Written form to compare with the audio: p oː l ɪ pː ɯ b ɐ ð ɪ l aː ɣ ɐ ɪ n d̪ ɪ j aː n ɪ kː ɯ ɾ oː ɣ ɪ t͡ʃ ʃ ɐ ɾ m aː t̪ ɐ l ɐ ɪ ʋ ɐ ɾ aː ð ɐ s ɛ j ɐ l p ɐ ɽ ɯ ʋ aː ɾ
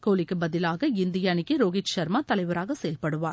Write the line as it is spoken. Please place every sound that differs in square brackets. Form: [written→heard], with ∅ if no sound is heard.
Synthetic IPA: [p→k] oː l ɪ [pː→kː] ɯ b ɐ ð ɪ l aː ɣ ɐ ɪ n d̪ ɪ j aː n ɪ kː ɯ ɾ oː ɣ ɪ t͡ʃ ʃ ɐ ɾ m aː t̪ ɐ l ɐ ɪ ʋ ɐ ɾ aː [ð→ɣ] ɐ s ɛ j ɐ l p ɐ ɽ ɯ ʋ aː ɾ